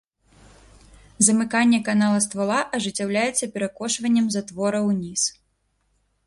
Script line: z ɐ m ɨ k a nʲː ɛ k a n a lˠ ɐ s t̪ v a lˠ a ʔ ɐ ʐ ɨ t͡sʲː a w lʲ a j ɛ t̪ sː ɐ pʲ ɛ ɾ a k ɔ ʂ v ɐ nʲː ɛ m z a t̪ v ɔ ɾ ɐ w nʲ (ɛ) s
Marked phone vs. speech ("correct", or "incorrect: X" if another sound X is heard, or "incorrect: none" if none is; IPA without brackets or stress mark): incorrect: i